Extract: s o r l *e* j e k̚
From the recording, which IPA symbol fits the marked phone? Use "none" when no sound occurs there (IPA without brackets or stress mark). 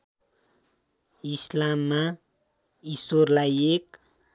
a